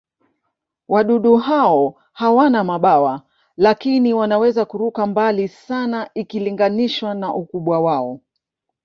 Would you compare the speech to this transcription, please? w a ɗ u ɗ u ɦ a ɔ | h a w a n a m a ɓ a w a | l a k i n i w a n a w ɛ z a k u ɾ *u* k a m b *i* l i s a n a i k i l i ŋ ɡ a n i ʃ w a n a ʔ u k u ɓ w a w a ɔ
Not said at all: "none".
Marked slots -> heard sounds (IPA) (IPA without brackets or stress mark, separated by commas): u, a